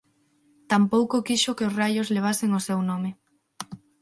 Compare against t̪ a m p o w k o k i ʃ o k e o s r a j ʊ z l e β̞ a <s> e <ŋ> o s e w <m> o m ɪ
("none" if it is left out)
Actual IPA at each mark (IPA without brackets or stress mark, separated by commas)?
s, ŋ, n